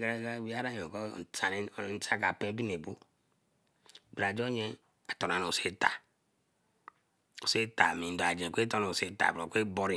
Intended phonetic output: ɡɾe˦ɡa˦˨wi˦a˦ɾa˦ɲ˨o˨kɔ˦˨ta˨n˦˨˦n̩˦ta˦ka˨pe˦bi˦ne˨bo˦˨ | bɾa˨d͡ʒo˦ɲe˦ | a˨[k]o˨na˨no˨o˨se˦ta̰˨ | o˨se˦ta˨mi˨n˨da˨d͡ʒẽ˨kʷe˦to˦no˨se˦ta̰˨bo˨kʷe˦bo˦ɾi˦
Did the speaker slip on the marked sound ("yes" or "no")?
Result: yes